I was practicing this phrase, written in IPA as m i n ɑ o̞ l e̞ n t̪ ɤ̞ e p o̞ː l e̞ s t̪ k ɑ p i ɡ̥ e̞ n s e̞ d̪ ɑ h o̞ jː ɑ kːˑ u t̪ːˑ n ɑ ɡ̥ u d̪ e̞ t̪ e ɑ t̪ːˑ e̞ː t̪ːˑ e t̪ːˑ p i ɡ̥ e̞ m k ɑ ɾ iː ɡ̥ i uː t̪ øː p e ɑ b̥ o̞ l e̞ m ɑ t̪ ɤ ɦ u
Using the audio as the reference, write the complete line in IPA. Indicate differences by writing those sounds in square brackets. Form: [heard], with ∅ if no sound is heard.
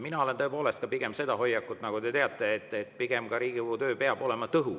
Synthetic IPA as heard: m i n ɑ o̞ l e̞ n t̪ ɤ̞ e p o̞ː l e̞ s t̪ k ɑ p i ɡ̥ e̞ [m] s e̞ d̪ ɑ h o̞ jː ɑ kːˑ u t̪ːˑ n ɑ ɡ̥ u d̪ e̞ t̪ e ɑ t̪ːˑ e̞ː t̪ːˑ e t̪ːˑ p i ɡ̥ e̞ m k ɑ ɾ iː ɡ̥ i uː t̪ øː p e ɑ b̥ o̞ l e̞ m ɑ t̪ ɤ ɦ u